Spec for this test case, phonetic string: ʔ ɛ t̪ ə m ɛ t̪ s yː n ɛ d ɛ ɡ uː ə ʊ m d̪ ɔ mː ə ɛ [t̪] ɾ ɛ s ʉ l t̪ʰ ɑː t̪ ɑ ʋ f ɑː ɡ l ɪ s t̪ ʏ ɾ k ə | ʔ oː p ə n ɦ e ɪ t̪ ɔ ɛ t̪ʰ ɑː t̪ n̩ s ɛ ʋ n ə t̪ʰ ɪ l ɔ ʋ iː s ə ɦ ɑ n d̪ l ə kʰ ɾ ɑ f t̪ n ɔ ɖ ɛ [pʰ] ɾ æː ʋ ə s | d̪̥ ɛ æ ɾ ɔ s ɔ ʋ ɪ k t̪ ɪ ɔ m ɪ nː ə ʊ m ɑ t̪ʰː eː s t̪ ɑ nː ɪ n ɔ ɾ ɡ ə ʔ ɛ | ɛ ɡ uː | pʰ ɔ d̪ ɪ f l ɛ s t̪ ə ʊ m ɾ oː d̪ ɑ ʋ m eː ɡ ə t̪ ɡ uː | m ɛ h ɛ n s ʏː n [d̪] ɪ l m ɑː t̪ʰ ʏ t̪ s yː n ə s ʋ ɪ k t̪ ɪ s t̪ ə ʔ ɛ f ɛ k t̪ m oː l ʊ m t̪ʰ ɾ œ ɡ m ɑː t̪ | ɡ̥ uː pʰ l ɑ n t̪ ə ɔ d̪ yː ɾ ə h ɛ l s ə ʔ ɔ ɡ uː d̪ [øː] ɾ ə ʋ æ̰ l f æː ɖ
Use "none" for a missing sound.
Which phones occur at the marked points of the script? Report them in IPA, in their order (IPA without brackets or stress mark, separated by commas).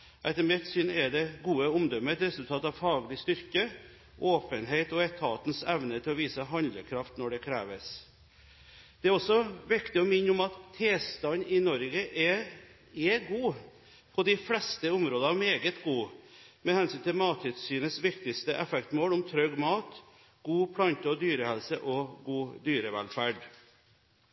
t̪, kʰ, t̪, yː